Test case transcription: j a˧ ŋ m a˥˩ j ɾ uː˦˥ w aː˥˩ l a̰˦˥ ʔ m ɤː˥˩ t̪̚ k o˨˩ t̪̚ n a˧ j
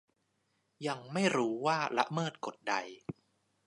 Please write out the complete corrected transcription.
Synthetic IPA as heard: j a˧ ŋ m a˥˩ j ɾ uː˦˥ w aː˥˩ l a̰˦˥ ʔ m ɤː˥˩ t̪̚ k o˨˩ t̪̚ d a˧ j